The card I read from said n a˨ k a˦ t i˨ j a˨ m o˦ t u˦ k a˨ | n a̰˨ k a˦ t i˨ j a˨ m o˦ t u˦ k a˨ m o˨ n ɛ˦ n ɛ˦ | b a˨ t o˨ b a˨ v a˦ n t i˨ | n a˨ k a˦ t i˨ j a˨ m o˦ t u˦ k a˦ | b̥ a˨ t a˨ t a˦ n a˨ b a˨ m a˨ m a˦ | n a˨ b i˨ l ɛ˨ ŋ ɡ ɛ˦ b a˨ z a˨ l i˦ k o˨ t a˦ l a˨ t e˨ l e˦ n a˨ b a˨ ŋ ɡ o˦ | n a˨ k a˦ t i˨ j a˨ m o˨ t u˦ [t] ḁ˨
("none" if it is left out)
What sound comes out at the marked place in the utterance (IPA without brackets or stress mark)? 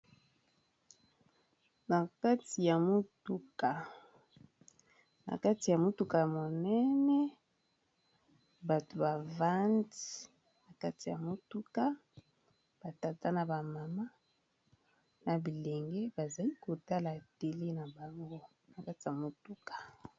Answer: k